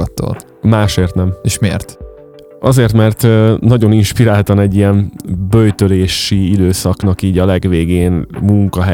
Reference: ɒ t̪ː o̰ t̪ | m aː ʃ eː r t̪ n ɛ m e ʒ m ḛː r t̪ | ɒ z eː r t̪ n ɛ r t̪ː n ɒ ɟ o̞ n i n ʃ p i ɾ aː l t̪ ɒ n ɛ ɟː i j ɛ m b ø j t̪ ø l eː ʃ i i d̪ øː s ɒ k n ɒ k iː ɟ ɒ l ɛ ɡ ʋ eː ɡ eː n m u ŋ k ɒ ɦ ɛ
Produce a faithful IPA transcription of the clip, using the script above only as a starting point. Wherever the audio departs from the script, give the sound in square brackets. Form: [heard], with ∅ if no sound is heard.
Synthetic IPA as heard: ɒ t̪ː o̰ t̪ | m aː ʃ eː r t̪ n ɛ m e [ʃ] m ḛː r t̪ | ɒ z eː r t̪ [m] ɛ r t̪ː n ɒ ɟ o̞ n i n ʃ p i ɾ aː l t̪ ɒ n ɛ ɟː i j ɛ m b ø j t̪ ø l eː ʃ i i d̪ øː s ɒ k n ɒ k iː ɟ ɒ l ɛ ɡ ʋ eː ɡ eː n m u ŋ k ɒ ɦ ɛ